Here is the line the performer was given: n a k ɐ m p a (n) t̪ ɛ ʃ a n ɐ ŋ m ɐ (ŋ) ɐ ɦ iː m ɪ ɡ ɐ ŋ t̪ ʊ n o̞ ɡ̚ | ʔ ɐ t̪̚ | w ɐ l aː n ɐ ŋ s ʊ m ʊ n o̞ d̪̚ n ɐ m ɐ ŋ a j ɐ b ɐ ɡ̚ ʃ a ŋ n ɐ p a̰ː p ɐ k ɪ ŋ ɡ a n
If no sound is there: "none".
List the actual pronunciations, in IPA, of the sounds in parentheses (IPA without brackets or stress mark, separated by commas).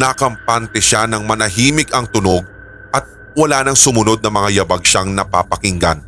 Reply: n, n